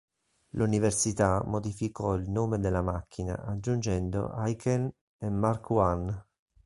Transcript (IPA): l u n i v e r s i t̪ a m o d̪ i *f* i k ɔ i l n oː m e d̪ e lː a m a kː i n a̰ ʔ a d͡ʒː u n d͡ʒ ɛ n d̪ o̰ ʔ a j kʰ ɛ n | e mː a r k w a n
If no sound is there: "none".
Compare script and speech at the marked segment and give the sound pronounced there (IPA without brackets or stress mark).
f